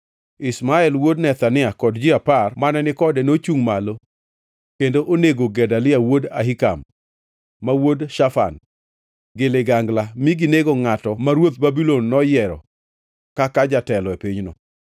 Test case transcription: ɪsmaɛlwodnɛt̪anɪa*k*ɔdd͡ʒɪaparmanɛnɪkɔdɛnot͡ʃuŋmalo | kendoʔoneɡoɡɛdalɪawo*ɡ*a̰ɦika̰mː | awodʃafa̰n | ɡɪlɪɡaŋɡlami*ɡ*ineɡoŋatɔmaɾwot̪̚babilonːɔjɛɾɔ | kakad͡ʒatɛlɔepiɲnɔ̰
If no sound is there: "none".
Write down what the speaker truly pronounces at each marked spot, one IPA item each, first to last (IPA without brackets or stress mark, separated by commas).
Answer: k, d, ɡ